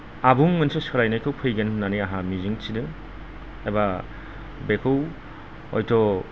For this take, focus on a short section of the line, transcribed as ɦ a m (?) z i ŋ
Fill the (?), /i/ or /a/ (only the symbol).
i